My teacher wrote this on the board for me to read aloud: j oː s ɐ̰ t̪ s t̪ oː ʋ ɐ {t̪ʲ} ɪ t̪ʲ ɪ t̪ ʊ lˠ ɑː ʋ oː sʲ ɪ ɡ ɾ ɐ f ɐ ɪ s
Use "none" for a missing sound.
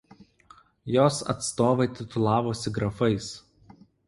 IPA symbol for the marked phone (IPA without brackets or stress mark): none